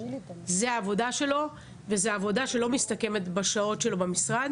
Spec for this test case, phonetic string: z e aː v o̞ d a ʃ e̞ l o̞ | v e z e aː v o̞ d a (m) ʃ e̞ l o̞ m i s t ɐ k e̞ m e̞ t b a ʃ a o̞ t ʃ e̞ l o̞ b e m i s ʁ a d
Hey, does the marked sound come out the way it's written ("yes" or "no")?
no